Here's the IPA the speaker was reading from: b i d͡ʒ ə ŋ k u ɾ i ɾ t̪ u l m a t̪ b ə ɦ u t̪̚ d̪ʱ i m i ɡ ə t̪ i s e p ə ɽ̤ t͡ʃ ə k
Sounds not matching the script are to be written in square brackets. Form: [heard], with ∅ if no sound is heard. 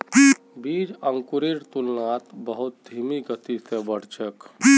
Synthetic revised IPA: b i d͡ʒ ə ŋ k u ɾ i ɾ t̪ u l [n] a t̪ b ə ɦ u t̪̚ d̪ʱ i m i ɡ ə t̪ i s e [b] ə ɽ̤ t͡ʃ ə k